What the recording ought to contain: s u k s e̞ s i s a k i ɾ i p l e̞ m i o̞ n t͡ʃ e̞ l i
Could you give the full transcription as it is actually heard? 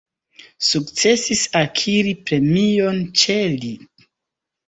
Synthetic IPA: s u k t͡s e̞ s i s a kʰ i ɾ i p ɾ e̞ m i o̞ n t͡ʃ e̞ l i